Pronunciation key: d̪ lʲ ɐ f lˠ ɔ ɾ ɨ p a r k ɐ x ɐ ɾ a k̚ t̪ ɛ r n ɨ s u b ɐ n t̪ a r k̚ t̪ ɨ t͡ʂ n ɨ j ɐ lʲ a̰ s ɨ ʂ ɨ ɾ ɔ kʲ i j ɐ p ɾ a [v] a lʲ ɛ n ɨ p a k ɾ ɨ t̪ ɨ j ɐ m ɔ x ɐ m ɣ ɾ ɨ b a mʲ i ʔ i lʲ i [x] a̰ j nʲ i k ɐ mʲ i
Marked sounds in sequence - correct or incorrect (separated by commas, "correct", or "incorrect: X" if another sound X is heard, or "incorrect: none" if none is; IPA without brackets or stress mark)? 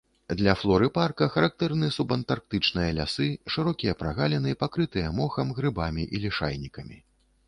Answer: incorrect: ɣ, incorrect: ʂ